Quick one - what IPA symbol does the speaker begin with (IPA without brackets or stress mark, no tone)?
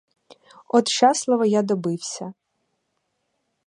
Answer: ɔ